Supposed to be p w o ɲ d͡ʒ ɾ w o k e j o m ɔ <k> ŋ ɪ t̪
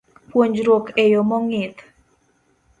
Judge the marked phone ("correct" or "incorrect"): incorrect